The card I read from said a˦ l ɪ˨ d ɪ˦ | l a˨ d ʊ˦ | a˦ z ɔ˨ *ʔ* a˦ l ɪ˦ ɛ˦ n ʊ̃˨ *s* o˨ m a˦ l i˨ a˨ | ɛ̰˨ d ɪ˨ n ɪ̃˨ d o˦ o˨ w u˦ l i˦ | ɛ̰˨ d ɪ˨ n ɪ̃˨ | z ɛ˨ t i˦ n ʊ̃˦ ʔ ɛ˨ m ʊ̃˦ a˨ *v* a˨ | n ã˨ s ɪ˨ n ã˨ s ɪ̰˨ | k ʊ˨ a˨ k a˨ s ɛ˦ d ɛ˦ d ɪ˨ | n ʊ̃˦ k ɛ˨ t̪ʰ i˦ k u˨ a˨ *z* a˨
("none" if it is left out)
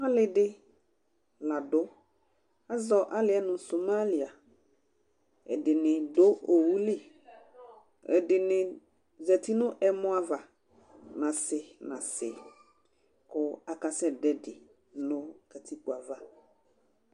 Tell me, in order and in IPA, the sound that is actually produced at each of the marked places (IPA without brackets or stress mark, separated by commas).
ʔ, s, v, v